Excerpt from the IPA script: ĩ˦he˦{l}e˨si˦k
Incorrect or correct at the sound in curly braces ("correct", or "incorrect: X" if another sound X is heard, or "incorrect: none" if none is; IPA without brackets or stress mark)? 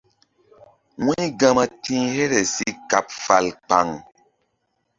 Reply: incorrect: ɾ